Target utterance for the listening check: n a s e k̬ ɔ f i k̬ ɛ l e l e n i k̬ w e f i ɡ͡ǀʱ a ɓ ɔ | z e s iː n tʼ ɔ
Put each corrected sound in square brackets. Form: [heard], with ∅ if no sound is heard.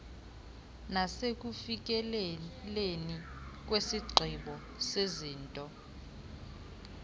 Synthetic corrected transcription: n a s e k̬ [u] f i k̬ ɛ l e l e n i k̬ w e [s] i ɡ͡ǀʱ [i] ɓ ɔ | [s] e [z] iː n tʼ ɔ